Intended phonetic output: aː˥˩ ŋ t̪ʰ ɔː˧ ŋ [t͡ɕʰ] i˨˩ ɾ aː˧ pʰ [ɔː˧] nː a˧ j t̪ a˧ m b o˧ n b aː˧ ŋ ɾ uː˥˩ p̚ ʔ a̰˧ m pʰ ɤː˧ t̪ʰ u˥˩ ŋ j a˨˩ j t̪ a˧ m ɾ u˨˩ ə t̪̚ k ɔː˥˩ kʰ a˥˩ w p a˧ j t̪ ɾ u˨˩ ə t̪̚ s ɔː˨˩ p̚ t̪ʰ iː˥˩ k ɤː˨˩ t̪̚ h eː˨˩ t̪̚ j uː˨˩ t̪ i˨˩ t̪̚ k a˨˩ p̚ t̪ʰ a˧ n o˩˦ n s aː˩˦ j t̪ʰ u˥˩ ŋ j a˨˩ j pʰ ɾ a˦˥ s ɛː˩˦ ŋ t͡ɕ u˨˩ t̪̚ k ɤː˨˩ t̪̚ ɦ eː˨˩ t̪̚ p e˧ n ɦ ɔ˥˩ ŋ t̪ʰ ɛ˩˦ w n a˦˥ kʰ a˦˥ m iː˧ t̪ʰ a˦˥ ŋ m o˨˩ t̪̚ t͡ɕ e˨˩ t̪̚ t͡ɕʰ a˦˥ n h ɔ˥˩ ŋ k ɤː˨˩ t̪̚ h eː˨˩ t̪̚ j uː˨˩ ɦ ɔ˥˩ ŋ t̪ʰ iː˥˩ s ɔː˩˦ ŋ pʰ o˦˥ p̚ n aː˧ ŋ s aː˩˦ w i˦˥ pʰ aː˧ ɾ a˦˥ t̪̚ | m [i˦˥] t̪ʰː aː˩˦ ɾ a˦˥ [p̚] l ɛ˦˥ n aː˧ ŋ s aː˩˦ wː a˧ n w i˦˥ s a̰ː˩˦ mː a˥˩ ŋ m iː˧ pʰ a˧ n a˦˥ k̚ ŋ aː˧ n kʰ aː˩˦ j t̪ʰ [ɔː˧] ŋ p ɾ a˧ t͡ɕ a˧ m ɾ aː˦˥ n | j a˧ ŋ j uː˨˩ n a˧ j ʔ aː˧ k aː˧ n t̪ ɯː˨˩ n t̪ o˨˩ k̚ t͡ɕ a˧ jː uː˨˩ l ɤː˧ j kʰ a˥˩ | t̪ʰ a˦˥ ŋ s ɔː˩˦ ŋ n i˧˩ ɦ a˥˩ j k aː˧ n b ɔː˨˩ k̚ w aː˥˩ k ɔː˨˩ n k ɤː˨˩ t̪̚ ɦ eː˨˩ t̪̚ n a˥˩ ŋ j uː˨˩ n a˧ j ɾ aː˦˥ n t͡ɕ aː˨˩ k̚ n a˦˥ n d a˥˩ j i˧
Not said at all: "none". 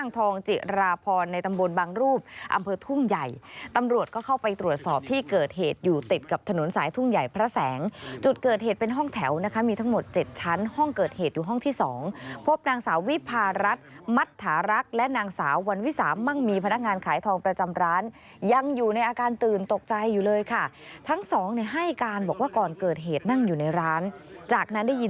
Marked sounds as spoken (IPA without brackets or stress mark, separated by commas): t͡ɕ, ɔː˧, a˦˥, k̚, ɔː˧